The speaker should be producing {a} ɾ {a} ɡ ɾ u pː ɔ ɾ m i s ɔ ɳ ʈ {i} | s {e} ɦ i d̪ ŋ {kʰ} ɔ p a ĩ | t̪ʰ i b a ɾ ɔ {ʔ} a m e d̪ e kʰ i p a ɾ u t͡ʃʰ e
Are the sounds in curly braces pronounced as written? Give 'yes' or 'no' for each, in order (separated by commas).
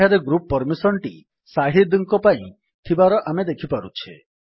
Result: yes, no, yes, no, no, yes